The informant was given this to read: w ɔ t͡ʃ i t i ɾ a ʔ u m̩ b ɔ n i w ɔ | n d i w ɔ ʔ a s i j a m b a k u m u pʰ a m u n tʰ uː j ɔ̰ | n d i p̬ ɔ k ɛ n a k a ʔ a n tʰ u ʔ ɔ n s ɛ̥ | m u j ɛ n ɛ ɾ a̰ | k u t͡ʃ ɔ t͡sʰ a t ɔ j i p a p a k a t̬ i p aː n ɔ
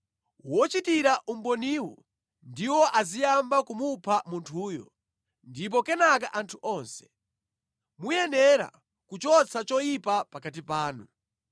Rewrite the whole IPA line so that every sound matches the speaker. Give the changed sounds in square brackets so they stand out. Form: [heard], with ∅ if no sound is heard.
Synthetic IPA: w ɔ t͡ʃ i t i ɾ a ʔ u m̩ b ɔ n i w ɔ | n d i w ɔ ʔ a [z] i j a m b a k u m u pʰ a m u n tʰ uː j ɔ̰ | n d i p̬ ɔ k ɛ n a k a ʔ a n tʰ u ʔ ɔ n s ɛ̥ | m u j ɛ n ɛ ɾ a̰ | k u t͡ʃ ɔ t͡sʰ a [t͡ʃ] ɔ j i p a p a k a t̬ i p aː n [u]